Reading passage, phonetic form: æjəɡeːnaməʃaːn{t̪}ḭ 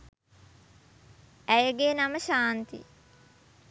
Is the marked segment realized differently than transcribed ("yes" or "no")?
no